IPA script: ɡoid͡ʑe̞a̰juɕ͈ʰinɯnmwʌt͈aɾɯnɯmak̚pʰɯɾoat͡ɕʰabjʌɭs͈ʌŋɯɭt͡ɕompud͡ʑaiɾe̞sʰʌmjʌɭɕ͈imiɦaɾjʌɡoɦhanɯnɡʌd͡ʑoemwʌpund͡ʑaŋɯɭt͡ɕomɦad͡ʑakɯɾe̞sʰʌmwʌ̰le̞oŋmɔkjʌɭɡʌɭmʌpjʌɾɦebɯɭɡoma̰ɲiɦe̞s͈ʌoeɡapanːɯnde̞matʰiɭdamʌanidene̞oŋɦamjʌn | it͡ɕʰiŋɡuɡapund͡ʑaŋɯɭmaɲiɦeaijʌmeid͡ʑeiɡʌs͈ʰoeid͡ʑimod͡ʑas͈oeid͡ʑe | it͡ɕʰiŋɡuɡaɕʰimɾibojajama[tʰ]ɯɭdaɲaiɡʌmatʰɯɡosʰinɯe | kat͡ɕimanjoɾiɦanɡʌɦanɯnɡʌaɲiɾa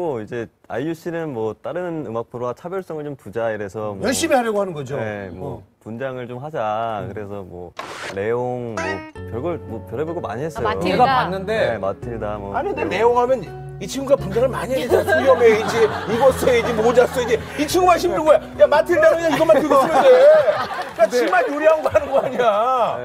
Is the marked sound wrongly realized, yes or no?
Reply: no